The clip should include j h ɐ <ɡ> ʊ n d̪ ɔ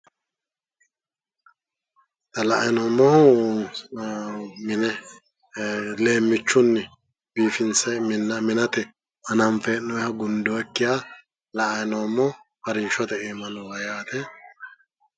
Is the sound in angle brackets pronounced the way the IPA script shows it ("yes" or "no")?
yes